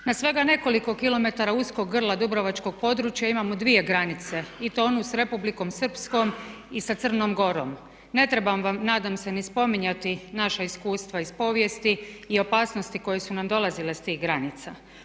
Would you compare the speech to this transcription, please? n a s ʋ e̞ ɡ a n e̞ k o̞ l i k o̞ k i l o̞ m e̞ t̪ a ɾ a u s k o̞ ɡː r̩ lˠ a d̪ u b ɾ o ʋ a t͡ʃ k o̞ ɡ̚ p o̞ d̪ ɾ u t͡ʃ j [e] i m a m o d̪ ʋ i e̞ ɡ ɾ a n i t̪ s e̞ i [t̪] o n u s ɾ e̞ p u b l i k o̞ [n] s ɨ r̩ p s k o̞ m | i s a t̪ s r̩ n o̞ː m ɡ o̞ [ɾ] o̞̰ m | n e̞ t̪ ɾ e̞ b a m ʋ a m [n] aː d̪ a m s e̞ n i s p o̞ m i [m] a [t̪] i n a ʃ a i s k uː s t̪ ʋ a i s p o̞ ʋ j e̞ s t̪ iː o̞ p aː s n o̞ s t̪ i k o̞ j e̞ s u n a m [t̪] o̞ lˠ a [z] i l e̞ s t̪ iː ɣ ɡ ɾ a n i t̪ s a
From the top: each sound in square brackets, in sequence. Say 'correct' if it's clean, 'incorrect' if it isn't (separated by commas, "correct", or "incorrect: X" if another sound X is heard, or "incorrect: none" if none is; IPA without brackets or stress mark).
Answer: incorrect: a, correct, incorrect: m, correct, correct, incorrect: ɲ, correct, incorrect: d̪, correct